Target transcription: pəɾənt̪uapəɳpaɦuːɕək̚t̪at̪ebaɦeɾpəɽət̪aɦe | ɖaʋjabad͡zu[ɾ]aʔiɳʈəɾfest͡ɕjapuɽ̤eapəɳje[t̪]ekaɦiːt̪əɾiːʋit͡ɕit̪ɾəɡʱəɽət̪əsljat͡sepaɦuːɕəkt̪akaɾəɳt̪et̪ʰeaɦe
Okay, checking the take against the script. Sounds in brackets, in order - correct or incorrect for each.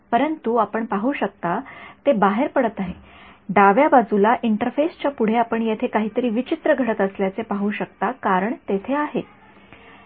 incorrect, incorrect

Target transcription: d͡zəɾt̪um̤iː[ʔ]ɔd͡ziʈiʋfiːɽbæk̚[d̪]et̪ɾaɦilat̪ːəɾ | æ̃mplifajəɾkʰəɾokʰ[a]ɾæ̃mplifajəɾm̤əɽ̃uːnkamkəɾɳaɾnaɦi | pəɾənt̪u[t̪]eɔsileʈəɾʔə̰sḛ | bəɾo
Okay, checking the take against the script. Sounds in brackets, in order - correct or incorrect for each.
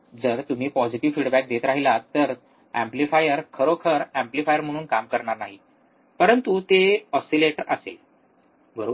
incorrect, correct, incorrect, correct

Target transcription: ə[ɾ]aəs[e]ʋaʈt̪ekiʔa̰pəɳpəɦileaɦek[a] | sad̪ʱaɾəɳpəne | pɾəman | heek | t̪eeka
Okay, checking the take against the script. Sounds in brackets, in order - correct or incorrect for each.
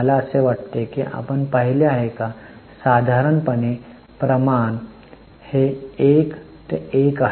incorrect, correct, correct

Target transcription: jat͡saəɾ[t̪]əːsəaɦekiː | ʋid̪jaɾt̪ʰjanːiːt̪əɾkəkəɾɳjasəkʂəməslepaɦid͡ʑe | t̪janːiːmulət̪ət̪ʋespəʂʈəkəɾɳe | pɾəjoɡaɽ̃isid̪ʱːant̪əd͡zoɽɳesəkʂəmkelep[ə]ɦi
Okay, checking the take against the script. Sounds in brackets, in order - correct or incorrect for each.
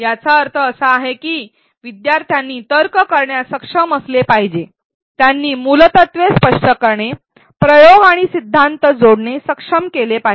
incorrect, incorrect

